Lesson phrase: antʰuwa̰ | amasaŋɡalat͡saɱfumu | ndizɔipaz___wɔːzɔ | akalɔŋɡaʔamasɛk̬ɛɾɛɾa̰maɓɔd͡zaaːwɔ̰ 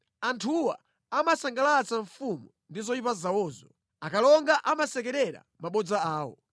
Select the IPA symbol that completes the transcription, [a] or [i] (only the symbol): a